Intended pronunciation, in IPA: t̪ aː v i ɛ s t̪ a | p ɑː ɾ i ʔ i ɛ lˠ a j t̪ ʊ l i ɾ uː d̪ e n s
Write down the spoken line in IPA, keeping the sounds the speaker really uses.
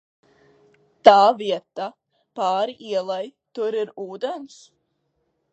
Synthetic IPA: t̪ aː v i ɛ t̪ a | p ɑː ɾ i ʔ i ɛ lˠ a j t̪ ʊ ɾ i ɾ uː d̪ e n s

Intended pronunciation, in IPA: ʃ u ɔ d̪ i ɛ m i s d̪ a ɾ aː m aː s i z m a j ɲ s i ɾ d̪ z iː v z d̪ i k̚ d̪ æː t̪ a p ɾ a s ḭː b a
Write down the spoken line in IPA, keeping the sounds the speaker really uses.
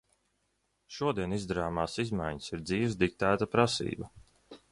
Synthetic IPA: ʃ u ɔ d̪ i ɛ n i z d̪ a ɾ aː m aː s i z m a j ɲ s i ɾ d̪ z iː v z d̪ i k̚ t̪ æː t̪ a p ɾ a s ḭː b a

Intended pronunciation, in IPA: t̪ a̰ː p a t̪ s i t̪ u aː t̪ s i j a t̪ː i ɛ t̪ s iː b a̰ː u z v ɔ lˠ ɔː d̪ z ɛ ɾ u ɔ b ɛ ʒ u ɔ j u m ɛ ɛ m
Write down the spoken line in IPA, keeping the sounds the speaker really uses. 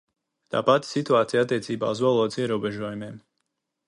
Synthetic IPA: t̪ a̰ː p a t̪ s i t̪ u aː t̪ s i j a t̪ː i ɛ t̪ s iː b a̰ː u z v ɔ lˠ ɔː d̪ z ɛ ɾ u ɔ b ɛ ʒ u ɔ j u m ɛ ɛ m

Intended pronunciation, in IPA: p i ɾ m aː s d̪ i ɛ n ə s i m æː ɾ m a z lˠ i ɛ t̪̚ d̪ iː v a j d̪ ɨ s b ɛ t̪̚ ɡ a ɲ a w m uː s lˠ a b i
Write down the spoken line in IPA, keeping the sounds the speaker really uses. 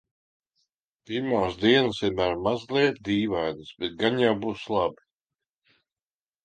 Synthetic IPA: p i ɾ m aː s d̪ i ɛ n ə s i m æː ɾ m a z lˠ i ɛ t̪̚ d̪ iː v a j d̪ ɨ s b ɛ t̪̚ ɡ a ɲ a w b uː s lˠ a b i

